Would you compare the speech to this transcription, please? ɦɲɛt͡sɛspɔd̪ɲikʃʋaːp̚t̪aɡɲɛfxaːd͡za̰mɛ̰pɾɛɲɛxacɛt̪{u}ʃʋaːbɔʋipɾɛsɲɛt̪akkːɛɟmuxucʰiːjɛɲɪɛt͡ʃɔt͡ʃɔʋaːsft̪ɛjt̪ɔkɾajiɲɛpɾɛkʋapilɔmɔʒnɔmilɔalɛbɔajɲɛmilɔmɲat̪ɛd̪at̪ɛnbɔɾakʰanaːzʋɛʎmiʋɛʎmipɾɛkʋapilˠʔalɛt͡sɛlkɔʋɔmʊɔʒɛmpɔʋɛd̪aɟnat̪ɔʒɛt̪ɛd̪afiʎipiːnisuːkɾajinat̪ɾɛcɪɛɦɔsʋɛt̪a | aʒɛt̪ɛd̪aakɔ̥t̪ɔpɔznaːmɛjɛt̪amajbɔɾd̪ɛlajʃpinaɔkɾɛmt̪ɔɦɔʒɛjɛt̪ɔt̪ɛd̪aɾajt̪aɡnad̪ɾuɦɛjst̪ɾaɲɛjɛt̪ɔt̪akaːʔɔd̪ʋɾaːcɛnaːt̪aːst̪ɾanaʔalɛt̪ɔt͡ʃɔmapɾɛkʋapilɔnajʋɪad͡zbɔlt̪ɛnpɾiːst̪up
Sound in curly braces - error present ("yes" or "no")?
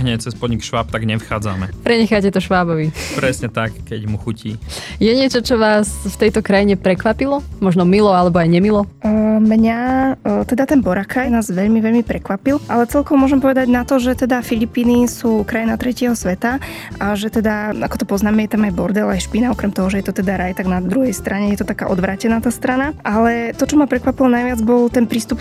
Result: yes